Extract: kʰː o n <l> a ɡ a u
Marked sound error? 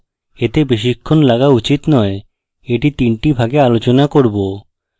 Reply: no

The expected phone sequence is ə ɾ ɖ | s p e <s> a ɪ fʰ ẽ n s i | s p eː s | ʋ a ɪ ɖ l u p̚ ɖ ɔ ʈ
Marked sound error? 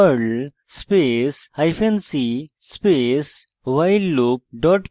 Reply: no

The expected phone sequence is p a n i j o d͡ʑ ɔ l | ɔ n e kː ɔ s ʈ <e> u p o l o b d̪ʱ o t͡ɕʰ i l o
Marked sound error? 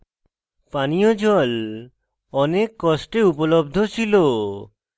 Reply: no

